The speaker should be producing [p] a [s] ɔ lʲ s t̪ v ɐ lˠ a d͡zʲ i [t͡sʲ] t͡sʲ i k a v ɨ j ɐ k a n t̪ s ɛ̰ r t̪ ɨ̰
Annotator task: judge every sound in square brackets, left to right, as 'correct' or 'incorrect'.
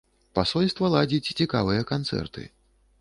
correct, correct, correct

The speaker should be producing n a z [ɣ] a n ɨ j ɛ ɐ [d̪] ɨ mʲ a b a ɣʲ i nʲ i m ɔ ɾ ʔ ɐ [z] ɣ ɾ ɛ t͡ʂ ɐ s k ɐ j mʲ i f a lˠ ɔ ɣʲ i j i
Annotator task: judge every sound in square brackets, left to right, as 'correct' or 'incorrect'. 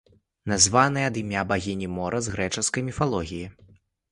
incorrect, correct, correct

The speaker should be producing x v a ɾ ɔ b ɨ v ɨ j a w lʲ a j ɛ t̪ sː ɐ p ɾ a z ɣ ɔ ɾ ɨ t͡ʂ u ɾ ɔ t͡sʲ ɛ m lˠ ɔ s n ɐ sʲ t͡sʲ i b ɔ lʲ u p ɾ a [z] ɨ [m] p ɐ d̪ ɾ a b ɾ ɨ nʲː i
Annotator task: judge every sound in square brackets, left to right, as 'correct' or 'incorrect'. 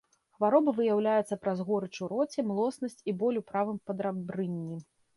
incorrect, correct

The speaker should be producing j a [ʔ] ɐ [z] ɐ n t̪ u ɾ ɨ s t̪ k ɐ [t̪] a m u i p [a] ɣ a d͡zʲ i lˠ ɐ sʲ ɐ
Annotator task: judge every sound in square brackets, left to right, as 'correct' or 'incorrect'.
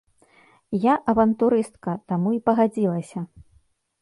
correct, incorrect, correct, incorrect

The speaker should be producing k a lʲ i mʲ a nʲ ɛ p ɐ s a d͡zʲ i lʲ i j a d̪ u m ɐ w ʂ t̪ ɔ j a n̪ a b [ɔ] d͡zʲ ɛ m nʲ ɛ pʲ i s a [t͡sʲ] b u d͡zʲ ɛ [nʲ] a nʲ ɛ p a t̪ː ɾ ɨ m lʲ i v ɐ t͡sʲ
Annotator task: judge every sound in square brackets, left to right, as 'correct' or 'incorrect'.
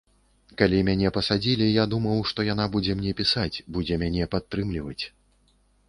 incorrect, correct, incorrect

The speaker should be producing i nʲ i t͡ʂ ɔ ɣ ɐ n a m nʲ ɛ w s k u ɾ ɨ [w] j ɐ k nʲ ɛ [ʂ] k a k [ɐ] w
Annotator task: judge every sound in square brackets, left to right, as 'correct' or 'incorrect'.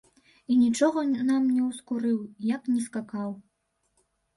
correct, incorrect, incorrect

